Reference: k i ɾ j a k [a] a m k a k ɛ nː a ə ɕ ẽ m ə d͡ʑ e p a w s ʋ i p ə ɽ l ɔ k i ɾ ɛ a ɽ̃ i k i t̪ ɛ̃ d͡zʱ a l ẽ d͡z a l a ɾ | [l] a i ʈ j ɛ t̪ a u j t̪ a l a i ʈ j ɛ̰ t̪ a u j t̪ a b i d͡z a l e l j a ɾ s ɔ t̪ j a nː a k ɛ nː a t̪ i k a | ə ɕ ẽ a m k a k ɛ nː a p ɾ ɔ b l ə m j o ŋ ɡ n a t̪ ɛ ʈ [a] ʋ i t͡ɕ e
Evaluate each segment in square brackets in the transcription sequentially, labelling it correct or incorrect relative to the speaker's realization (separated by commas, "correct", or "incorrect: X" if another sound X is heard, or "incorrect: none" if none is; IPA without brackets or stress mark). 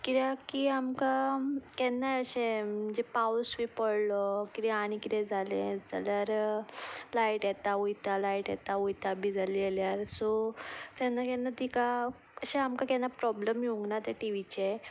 incorrect: i, correct, incorrect: i